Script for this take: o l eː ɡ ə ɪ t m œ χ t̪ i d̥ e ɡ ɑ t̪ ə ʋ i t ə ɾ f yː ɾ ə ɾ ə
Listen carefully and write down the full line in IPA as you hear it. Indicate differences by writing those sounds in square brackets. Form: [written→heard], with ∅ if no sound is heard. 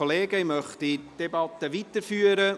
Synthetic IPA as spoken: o l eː ɡ ə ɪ [t→∅] m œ χ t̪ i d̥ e [ɡ→b] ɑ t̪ ə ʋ i t ə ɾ f yː [ɾ→∅] ə ɾ ə